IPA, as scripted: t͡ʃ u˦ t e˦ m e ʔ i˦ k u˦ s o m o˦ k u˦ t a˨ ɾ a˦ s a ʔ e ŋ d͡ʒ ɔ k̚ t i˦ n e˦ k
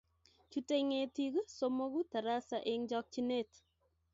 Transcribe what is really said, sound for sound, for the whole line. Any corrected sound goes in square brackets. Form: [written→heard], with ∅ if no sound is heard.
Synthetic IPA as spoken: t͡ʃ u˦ t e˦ [m→ŋ] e [ʔ→t] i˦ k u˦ s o m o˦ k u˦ t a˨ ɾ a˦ s a ʔ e ŋ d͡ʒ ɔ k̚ [t→t͡ʃ] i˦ n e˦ [k→t]